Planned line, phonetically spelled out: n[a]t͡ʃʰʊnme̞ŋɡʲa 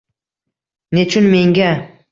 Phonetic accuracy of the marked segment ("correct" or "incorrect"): incorrect